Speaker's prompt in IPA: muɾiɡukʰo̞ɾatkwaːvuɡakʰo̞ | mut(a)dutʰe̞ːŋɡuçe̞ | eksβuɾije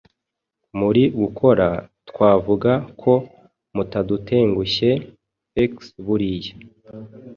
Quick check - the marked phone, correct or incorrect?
correct